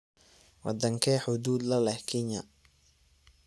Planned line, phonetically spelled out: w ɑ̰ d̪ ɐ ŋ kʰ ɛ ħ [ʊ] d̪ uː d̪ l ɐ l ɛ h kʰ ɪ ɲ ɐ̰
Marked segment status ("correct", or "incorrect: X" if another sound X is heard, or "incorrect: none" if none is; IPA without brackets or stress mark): correct